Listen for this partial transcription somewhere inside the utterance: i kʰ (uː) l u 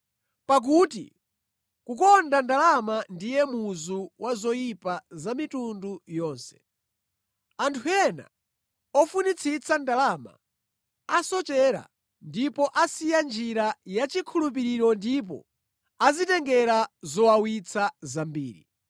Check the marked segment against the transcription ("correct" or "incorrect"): incorrect